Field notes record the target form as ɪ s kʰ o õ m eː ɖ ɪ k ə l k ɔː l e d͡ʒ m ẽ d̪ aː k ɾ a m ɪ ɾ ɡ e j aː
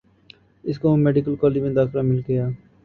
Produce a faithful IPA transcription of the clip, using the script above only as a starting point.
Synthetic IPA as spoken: ɪ s k o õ m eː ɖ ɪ k ə l k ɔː l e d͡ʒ m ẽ d̪ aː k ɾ a m ɪ l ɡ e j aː